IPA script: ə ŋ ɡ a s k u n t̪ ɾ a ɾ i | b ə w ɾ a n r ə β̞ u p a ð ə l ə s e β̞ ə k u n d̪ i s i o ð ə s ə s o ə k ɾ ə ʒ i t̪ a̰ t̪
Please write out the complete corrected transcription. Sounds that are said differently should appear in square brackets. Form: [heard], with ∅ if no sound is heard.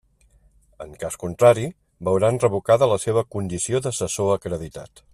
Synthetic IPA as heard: ə ŋ [k] a s k u n t̪ ɾ a ɾ i | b ə w ɾ a n r ə β̞ u [k] a ð ə l ə s e β̞ ə k u n d̪ i s i o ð ə s ə s o ə k ɾ ə [ð] i t̪ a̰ t̪

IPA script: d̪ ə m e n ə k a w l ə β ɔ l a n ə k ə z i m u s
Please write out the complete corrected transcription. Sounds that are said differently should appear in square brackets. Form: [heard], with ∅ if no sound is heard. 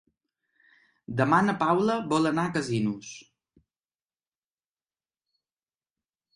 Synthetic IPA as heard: d̪ ə m [a] n ə [p] a w l ə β ɔ l [ə] n [a] k ə z i [n] u s

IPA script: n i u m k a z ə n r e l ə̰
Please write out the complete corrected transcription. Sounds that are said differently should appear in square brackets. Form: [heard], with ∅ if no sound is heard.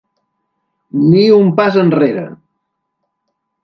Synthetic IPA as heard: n i u m [p] a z ə n r e [ɾ] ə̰

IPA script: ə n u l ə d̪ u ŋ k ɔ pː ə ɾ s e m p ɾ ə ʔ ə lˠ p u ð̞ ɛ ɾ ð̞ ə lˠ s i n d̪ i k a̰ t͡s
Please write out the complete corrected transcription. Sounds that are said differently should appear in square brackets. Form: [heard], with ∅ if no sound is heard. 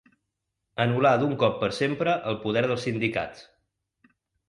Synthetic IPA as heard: ə n u l [a] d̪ u ŋ k ɔ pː ə ɾ s e m p ɾ ə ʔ ə lˠ p u ð̞ ɛ ɾ ð̞ ə lˠ s i n d̪ i k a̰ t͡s

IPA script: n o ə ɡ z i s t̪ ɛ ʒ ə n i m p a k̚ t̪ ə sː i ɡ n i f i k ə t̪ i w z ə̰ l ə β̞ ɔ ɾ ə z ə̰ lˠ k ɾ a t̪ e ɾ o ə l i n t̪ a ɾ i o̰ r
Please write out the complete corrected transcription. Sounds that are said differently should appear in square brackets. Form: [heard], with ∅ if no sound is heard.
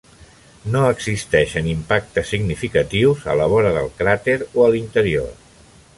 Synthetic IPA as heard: n o ə ɡ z i s t̪ ɛ [ʃ] ə n i m p a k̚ t̪ ə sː i ɡ n i f i k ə t̪ i w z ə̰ l ə β̞ ɔ ɾ ə [ð] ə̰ lˠ k ɾ a t̪ e ɾ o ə l i n t̪ [ə] ɾ i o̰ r

